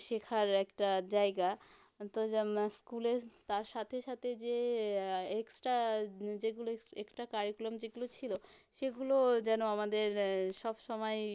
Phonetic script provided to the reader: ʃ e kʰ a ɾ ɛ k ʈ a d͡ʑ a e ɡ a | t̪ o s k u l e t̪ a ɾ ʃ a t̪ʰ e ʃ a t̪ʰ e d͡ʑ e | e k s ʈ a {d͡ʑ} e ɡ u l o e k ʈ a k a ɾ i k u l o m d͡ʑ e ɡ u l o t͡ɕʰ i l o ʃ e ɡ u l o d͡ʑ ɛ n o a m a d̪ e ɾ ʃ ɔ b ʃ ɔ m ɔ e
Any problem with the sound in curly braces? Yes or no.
no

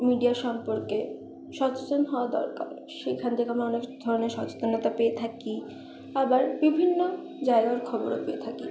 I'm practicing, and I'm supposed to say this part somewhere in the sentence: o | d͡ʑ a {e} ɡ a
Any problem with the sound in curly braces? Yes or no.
no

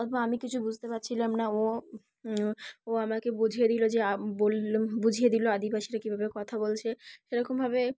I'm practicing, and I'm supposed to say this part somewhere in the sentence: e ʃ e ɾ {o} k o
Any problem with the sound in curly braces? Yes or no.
yes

